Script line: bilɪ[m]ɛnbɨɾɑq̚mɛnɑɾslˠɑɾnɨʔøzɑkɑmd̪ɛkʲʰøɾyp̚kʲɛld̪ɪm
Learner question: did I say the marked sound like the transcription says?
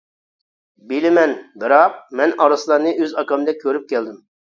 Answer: yes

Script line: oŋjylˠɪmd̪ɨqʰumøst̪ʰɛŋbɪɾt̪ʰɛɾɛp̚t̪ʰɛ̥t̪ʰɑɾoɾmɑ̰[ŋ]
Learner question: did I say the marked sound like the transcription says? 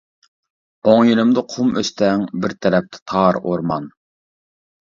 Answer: no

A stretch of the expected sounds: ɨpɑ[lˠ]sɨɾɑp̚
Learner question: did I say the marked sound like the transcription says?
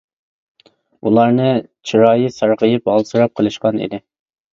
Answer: yes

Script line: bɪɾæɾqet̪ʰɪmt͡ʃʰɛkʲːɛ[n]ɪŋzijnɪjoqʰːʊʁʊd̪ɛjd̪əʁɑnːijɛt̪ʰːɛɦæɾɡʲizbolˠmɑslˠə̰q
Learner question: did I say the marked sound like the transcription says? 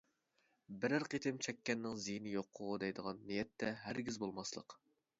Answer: no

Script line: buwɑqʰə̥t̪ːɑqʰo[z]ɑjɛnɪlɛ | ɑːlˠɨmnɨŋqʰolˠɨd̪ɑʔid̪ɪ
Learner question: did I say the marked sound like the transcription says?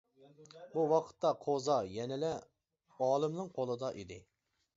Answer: yes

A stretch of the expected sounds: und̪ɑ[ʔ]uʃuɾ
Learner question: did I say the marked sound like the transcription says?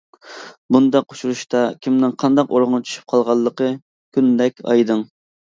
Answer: no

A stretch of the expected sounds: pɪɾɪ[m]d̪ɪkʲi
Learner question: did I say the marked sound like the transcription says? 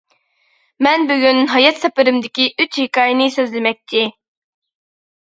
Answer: yes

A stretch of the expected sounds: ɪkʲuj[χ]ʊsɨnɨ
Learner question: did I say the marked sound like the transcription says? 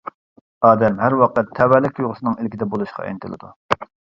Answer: no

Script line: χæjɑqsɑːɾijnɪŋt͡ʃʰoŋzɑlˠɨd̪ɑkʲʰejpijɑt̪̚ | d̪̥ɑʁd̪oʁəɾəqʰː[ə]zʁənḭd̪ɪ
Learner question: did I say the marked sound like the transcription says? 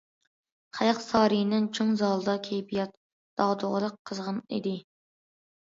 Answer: yes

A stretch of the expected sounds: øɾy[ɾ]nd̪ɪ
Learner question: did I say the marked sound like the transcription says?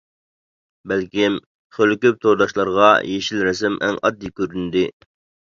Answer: no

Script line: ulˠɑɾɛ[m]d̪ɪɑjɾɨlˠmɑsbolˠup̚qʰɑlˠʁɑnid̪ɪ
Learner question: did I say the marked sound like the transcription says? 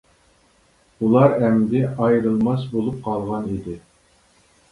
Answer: yes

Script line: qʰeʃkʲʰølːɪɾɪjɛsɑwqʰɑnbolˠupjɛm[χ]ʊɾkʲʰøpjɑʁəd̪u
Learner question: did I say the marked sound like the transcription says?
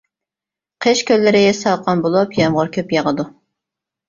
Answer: no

